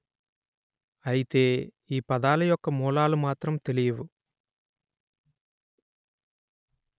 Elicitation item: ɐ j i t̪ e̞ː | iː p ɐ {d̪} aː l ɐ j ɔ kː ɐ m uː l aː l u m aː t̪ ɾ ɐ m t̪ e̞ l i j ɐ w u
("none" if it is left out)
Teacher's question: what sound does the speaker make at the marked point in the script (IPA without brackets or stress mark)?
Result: d̪